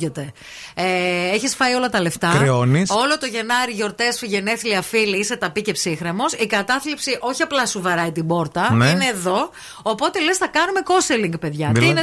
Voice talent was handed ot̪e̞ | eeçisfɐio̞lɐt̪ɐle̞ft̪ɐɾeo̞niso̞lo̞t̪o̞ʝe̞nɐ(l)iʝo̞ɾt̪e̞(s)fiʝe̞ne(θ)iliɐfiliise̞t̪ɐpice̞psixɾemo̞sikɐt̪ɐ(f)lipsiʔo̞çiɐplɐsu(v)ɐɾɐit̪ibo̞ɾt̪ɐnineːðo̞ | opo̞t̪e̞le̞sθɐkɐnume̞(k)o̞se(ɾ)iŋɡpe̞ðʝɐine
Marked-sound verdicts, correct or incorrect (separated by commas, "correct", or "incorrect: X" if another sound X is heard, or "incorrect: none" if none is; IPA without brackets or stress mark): incorrect: ɾ, correct, correct, incorrect: θ, correct, correct, incorrect: l